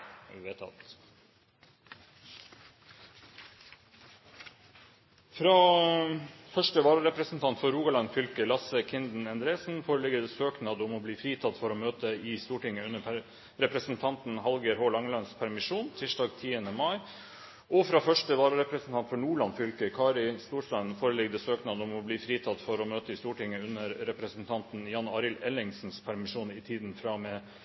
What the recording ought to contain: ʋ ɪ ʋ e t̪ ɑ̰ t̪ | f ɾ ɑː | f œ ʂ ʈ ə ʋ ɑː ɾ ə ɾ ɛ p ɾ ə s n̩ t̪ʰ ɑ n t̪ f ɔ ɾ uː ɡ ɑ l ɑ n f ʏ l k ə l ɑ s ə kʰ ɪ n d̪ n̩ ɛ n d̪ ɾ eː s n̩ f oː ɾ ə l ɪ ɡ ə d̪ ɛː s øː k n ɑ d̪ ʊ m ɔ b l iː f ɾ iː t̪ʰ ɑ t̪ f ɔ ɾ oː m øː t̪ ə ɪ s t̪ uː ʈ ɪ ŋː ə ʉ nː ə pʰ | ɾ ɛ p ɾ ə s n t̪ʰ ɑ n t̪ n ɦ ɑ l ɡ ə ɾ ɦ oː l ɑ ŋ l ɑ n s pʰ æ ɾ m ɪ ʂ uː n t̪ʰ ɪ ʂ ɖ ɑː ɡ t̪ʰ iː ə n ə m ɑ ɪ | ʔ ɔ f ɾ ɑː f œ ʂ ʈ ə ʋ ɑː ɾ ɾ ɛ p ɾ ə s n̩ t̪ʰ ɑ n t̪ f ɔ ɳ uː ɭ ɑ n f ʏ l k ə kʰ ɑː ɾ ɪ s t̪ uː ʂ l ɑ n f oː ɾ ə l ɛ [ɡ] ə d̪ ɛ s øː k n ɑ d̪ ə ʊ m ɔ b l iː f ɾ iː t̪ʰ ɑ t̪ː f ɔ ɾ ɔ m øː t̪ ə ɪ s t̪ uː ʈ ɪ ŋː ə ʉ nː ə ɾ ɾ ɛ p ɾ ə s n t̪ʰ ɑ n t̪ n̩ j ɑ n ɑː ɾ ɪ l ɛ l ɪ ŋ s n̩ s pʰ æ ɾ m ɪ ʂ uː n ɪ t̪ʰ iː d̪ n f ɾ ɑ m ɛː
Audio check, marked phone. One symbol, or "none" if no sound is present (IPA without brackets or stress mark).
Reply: ɡ